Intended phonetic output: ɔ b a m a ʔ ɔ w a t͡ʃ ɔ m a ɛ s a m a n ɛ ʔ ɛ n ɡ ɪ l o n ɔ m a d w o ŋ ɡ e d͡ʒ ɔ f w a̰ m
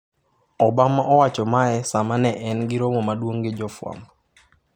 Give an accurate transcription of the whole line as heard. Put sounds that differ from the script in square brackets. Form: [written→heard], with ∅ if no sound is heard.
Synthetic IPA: ɔ b a m a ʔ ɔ w a t͡ʃ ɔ m a ɛ s a m a n ɛ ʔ ɛ n ɡ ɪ [l→ɾ] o [n→m] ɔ m a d w o ŋ ɡ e d͡ʒ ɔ f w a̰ m